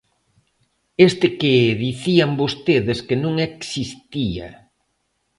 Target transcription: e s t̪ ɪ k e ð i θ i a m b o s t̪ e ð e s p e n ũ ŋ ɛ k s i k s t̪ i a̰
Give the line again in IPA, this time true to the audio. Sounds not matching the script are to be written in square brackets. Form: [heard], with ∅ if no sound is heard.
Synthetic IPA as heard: e s t̪ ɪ k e ð i θ i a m b o s t̪ e ð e s [k] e n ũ ŋ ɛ k s i [∅] s t̪ i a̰